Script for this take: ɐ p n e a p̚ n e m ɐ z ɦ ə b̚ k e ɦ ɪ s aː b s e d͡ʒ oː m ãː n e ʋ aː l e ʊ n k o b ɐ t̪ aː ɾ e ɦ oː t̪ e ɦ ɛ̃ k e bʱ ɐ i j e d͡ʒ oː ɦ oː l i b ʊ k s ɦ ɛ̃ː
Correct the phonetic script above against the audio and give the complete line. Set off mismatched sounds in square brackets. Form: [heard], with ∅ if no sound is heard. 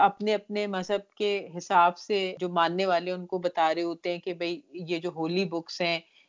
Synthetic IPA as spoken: ɐ p n e [ɐ] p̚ n e m ɐ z ɦ ə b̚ k e ɦ ɪ s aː b s e d͡ʒ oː m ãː [nː] e ʋ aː l e ʊ n k o b ɐ t̪ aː ɾ e ɦ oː t̪ e ɦ ɛ̃ k e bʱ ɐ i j e d͡ʒ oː ɦ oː l i b ʊ k s ɦ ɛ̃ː